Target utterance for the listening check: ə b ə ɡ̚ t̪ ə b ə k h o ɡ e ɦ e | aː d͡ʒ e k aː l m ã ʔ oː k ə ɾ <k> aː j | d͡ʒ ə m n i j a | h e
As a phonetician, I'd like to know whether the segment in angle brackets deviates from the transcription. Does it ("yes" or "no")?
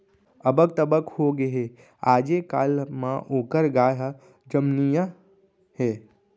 yes